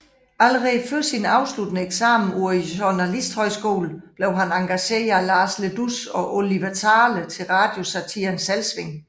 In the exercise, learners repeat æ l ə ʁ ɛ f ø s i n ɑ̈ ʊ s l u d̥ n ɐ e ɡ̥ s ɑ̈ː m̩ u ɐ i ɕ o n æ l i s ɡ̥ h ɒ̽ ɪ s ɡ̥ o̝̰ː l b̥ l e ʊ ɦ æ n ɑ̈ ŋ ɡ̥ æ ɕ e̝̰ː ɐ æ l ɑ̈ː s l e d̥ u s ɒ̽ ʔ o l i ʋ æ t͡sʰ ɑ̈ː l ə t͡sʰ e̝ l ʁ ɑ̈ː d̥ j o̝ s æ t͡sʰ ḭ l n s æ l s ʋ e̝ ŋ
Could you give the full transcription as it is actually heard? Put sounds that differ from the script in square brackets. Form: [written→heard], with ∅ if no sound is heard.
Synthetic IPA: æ l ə ʁ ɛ f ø s i n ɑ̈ ʊ s l u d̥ n [ɐ→ə] e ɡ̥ s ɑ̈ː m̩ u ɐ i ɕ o n æ l i s [ɡ̥→d̥] h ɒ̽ ɪ s ɡ̥ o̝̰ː l b̥ l e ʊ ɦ æ n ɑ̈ ŋ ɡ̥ æ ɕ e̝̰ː ɐ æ l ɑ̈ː s l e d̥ u s ɒ̽ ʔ o l i ʋ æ t͡sʰ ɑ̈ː l ə t͡sʰ e̝ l ʁ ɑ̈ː d̥ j o̝ s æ t͡sʰ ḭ [l→∅] n s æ l s ʋ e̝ ŋ